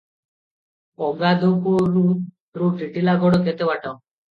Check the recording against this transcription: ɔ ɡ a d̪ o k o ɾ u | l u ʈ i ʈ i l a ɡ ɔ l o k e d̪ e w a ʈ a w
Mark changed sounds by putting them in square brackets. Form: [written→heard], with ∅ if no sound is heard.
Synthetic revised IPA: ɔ ɡ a d̪ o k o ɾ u | [l→ɾ] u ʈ i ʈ i l a ɡ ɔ [l→ɽ] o k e [d̪→t̪] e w a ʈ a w

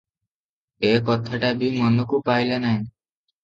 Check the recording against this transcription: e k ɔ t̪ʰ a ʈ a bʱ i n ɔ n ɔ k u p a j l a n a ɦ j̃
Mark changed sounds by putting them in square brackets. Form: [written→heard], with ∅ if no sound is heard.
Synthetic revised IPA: e k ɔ t̪ʰ a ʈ a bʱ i [n→m] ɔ n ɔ k u p a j l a n a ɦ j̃

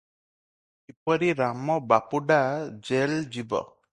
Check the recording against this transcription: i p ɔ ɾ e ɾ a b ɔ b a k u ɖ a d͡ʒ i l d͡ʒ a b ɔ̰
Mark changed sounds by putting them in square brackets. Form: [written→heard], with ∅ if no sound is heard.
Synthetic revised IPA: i p ɔ ɾ [e→i] ɾ a [b→m] ɔ b a [k→p] u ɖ a d͡ʒ [i→e] l d͡ʒ [a→i] b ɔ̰

